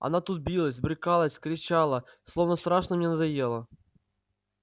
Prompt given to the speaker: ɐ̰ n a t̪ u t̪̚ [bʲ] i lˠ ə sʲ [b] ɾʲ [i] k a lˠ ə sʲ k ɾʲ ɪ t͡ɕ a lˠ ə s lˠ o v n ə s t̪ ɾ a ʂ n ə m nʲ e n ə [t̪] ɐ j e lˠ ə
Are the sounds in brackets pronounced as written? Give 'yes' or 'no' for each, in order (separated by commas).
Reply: yes, yes, no, no